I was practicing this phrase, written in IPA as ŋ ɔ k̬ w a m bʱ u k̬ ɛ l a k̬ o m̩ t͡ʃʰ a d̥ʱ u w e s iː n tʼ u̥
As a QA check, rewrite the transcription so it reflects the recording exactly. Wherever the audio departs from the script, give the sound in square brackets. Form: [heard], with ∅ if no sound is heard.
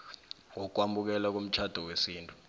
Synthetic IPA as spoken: ŋ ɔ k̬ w a m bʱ u k̬ ɛ l a k̬ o m̩ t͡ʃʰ a d̥ʱ [ɔ] w e s iː n tʼ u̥